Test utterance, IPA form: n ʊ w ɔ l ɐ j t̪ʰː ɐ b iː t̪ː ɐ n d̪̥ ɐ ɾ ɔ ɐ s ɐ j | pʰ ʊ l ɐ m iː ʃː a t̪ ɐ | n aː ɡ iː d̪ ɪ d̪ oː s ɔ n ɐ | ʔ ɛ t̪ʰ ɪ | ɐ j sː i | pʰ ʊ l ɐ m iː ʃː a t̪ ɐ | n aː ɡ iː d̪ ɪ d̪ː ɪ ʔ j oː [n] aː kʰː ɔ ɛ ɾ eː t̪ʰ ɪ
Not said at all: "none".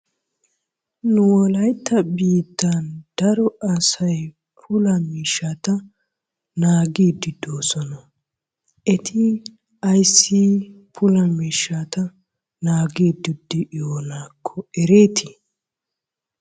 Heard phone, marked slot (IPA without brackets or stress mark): n